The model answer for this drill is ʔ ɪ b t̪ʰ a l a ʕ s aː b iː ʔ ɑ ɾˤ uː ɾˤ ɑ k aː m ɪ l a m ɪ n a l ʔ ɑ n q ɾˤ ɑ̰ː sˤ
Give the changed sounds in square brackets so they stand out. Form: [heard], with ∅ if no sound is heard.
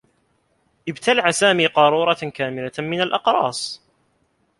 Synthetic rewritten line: ʔ ɪ b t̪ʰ a l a ʕ s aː [m] iː [q] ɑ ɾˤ uː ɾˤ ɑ k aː m ɪ l a m ɪ n a l ʔ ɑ [∅] q ɾˤ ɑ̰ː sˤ